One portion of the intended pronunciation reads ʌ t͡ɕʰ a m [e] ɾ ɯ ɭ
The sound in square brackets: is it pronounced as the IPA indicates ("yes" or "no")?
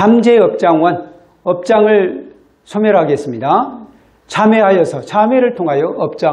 yes